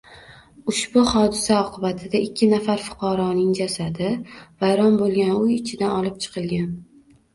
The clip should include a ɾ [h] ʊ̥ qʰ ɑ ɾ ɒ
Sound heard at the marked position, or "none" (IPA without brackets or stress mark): f